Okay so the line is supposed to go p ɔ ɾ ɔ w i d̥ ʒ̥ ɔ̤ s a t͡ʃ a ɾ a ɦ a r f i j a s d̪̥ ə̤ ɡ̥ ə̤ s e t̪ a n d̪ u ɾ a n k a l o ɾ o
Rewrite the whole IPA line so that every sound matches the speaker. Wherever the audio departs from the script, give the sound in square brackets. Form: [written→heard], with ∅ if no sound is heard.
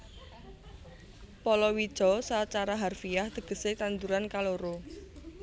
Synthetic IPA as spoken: p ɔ [ɾ→l] ɔ w i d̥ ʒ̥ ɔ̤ s a t͡ʃ a ɾ a ɦ a r f i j a [s→h] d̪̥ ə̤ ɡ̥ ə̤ s e t̪ a n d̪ u ɾ a n k a l o ɾ o